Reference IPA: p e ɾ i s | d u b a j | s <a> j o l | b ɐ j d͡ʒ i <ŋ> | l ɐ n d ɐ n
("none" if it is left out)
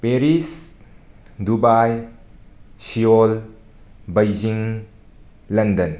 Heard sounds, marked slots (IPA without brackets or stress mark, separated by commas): i, ŋ